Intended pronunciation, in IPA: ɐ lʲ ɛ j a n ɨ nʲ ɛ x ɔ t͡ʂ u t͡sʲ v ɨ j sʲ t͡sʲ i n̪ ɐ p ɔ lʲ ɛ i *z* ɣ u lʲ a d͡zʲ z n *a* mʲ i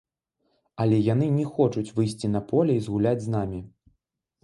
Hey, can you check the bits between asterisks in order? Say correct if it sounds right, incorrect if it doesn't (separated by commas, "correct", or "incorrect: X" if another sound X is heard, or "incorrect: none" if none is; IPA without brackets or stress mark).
correct, correct